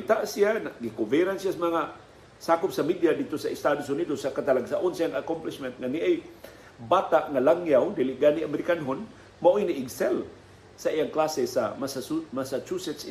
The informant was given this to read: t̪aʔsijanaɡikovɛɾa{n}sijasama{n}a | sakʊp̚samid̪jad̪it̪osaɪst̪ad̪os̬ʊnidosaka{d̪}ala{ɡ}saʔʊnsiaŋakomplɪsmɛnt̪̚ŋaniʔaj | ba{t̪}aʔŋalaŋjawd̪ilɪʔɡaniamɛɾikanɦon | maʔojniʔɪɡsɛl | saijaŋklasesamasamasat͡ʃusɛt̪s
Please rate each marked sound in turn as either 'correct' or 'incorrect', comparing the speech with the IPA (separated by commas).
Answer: correct, incorrect, incorrect, correct, correct